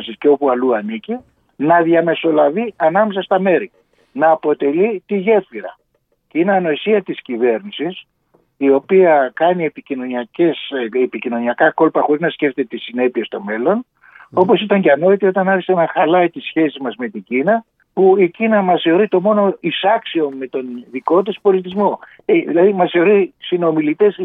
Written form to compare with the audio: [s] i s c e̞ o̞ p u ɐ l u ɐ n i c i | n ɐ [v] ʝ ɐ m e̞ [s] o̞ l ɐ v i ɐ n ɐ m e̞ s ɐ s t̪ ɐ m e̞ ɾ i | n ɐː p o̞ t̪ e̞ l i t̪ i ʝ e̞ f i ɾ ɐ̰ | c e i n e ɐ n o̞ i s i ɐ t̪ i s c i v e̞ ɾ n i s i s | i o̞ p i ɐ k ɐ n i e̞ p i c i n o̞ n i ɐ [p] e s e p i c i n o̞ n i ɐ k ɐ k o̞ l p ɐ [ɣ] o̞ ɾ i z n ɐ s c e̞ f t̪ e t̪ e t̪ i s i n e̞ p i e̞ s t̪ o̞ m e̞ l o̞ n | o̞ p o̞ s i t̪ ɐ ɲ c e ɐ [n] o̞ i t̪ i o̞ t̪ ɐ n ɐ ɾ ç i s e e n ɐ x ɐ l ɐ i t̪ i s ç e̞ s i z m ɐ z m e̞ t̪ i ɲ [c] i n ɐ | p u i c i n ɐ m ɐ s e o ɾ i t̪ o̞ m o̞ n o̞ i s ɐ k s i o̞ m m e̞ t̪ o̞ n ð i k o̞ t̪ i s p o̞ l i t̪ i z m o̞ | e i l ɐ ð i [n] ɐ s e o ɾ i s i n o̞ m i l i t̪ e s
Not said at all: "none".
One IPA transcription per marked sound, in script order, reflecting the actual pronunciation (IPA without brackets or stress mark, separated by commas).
s, ð, s, c, x, n, ɟ, m